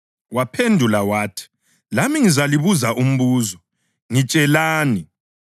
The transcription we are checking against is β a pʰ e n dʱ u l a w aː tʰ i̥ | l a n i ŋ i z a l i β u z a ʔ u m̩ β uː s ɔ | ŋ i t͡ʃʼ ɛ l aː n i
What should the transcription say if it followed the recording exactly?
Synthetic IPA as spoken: w a pʰ e n dʱ u l a w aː tʰ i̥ | l a m i ŋ i z a l i β u z a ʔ u m̩ β uː z ɔ | ŋ i t͡ʃʼ ɛ l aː n i